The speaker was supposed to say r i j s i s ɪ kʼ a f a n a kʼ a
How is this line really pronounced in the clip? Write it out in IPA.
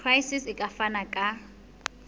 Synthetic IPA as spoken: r a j s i s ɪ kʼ a f a n a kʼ a